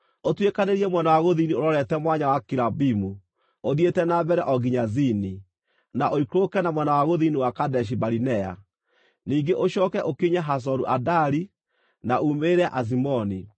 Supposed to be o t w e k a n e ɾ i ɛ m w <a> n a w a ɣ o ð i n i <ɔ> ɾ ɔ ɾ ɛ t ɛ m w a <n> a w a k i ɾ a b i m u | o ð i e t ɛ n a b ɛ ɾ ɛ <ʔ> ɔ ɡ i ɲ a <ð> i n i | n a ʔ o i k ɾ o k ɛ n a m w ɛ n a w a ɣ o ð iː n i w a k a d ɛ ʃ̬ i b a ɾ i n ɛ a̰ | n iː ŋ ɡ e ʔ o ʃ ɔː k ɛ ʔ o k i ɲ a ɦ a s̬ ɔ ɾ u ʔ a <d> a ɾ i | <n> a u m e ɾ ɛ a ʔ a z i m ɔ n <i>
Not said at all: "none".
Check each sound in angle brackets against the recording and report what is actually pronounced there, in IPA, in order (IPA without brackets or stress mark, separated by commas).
ɛ, o, ɲ, ʔ, z, d, n, i